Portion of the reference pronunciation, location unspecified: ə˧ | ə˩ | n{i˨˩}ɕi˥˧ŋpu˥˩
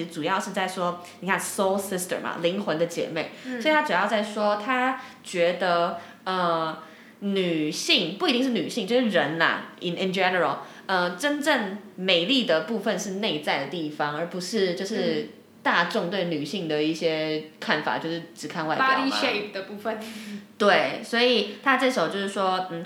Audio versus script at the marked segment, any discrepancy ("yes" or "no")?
yes